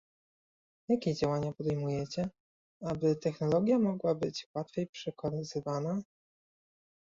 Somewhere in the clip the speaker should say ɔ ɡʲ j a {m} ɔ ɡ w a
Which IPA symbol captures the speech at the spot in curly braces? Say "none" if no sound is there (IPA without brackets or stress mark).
m